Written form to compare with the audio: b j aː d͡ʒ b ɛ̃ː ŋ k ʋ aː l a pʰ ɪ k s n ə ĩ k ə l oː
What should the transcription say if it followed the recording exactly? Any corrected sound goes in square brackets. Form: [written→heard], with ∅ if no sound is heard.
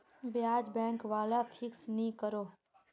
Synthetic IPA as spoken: b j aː d͡ʒ b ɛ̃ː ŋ k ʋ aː l a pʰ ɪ k s n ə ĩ k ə [l→ɾ] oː